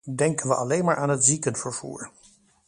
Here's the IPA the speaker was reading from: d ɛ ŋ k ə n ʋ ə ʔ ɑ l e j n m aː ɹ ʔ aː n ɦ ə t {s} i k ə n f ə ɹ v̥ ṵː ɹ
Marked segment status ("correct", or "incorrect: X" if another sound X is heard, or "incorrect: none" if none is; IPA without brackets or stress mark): incorrect: z